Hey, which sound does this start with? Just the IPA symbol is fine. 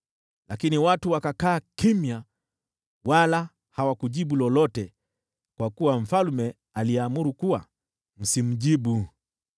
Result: l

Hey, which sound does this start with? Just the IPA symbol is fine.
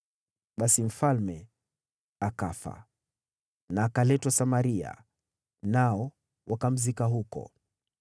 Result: ɓ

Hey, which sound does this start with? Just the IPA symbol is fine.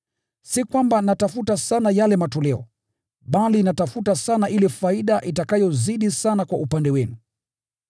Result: s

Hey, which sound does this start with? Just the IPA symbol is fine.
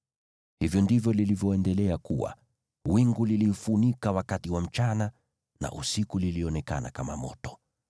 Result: h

